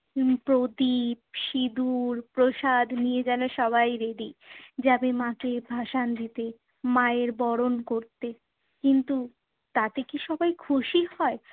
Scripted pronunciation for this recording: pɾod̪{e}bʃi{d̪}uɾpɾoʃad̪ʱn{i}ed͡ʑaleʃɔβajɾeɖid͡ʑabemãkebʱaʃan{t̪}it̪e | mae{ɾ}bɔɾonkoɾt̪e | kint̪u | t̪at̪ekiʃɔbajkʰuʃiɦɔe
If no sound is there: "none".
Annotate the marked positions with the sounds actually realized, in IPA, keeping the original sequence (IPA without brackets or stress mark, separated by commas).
i, d̪, i, d̪, ɾ